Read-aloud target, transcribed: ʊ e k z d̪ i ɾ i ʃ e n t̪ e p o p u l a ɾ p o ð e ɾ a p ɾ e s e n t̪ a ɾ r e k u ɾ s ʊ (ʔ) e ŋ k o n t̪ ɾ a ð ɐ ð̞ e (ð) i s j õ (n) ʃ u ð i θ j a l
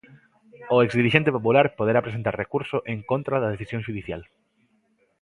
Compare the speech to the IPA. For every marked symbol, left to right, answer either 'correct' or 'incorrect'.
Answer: correct, incorrect, incorrect

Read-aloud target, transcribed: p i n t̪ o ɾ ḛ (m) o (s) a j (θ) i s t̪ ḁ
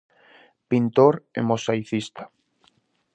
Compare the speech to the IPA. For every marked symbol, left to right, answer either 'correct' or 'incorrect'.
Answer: correct, correct, correct

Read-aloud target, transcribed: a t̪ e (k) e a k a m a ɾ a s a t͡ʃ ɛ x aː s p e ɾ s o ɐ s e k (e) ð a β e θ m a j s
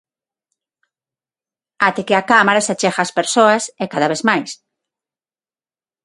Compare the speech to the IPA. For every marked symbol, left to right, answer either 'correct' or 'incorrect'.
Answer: correct, incorrect

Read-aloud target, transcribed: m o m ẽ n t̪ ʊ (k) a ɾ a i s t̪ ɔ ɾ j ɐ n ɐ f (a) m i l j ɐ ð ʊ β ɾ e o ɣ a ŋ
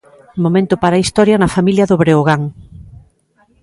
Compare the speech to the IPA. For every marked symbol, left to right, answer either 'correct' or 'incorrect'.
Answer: incorrect, correct

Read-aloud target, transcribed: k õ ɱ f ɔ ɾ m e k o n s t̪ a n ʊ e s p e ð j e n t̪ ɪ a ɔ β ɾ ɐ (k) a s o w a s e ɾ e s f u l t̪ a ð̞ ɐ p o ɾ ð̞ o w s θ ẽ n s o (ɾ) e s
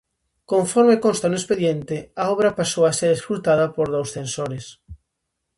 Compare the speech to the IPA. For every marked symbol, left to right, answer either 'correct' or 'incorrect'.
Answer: incorrect, correct

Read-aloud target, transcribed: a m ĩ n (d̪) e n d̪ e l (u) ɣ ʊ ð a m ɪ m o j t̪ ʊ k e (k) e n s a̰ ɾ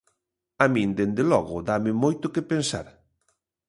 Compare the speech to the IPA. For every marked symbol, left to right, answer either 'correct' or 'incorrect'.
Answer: correct, incorrect, incorrect

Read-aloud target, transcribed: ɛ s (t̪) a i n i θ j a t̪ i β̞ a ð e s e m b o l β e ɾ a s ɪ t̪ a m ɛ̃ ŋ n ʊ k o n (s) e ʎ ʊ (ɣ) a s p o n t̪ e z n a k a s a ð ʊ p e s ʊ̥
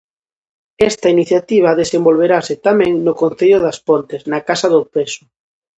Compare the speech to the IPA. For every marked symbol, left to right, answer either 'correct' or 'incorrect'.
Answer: correct, incorrect, incorrect

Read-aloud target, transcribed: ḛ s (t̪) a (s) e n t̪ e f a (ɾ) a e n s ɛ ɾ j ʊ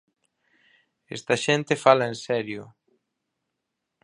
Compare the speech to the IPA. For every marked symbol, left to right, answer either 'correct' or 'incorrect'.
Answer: correct, incorrect, incorrect

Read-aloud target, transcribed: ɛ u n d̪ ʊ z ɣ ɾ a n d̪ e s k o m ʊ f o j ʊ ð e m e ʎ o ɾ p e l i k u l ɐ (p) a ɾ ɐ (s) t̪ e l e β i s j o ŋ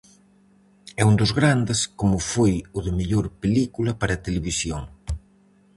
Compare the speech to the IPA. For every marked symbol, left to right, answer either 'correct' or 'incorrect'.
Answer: correct, incorrect

